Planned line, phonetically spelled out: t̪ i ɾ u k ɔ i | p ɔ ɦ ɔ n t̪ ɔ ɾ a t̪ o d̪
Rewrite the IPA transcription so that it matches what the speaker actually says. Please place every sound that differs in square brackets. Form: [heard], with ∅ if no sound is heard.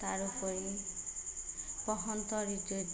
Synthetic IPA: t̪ [a] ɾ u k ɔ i | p ɔ ɦ ɔ n t̪ ɔ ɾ [i] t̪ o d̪